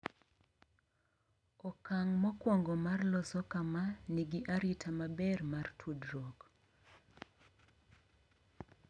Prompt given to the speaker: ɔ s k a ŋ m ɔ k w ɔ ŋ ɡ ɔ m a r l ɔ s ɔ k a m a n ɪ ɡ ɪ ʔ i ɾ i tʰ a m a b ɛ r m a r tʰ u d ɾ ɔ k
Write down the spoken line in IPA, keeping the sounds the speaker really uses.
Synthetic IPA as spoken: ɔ k a ŋ m ɔ k w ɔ ŋ ɡ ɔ m a r l ɔ s ɔ k a m a n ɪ ɡ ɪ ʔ a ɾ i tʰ a m a b ɛ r m a r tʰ u d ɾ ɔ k